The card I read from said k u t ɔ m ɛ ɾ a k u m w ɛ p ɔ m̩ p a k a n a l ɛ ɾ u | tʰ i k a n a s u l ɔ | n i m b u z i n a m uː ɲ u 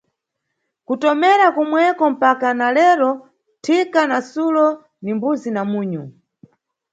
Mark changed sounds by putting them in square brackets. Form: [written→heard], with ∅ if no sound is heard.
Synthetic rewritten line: k u t ɔ m ɛ ɾ a k u m w ɛ [p→k] ɔ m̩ p a k a n a l ɛ ɾ [u→ɔ] | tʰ i k a n a s u l ɔ | n i m b u z i n a m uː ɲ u